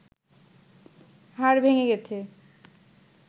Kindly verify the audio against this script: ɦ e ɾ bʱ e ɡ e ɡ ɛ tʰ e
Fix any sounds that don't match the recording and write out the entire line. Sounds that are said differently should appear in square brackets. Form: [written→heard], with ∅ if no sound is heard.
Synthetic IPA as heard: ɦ [e→a] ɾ bʱ e [ɡ→ŋ] e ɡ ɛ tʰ e

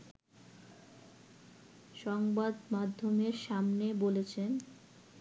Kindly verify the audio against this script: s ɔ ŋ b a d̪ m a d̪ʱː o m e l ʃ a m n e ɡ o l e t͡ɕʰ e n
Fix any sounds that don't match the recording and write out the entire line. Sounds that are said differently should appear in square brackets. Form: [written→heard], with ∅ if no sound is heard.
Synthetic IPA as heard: [s→ʃ] ɔ ŋ b a d̪ m a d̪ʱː o m e [l→ɾ] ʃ a m n e [ɡ→b] o l e t͡ɕʰ e n

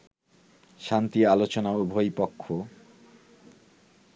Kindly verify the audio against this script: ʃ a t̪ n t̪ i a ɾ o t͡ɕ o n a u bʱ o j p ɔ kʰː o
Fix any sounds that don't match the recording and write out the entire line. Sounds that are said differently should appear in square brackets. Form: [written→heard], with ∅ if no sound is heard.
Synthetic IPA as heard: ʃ a [t̪→∅] n t̪ i a [ɾ→l] o t͡ɕ o n a u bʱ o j p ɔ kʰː o

